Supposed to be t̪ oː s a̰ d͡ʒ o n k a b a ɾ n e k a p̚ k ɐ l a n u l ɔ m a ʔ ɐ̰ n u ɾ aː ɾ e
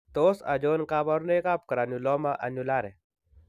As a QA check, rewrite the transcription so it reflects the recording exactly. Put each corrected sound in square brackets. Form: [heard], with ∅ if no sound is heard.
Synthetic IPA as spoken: t̪ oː s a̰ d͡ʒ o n k a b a ɾ n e k a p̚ k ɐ [ɾ] a n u l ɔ m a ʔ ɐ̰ n u [l] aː ɾ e